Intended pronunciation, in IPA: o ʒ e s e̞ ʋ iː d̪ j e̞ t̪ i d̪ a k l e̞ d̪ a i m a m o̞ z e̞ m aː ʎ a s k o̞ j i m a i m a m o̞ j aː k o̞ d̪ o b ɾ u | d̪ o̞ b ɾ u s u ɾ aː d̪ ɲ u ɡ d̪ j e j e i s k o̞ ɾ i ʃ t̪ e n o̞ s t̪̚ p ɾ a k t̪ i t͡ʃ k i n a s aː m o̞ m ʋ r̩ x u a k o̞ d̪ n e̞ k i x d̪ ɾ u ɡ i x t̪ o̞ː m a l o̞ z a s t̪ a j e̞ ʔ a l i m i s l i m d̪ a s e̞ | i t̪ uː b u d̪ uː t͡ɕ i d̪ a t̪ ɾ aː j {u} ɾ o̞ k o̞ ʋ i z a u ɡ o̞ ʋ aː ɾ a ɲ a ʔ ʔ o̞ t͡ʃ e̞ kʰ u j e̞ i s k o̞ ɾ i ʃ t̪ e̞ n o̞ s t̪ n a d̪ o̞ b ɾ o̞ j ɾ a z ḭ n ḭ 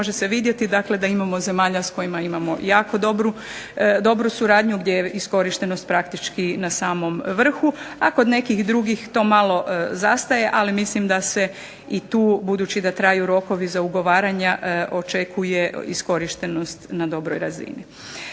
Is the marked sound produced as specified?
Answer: yes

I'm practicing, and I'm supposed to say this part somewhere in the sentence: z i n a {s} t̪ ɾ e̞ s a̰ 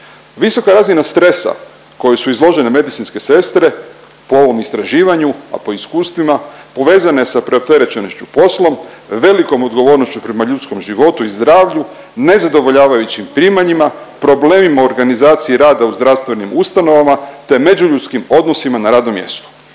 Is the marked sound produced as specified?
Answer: yes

